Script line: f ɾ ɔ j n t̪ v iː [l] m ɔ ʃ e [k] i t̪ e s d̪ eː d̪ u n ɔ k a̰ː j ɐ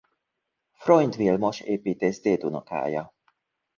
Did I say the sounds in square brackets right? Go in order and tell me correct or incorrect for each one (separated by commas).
correct, incorrect